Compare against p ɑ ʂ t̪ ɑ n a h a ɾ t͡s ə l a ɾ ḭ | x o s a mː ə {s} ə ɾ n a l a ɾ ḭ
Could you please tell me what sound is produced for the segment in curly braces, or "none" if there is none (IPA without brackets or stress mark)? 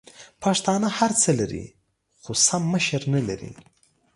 ʃ